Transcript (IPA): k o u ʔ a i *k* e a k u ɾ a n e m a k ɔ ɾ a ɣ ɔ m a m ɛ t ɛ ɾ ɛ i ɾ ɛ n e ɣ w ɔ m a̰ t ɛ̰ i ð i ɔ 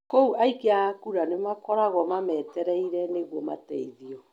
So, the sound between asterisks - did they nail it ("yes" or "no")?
yes